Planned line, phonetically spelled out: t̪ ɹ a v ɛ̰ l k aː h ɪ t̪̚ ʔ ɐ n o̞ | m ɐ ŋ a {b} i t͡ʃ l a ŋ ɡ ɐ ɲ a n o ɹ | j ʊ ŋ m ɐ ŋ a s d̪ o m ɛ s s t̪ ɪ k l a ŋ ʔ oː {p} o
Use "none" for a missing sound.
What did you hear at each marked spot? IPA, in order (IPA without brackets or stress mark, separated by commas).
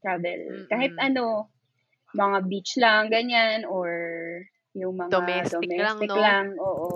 b, ʔ